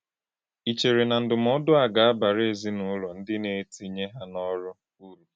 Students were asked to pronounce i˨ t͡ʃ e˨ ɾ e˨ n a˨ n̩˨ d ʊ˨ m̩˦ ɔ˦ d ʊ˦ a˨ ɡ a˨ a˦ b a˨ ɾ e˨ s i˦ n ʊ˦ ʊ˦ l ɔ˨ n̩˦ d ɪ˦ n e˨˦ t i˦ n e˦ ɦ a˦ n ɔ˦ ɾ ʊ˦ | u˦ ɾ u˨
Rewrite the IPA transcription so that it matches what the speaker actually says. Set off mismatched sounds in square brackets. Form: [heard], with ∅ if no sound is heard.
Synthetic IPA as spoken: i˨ t͡ʃ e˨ ɾ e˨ n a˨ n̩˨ d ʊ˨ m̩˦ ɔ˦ d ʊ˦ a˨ ɡ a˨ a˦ b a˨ ɾ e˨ [z] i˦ n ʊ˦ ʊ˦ l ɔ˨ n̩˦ d ɪ˦ n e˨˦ t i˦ [ɲ] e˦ ɦ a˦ n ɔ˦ ɾ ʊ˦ | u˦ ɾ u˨